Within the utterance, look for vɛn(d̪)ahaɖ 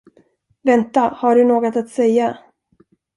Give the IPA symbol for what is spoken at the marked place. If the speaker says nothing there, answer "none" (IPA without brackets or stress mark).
t̪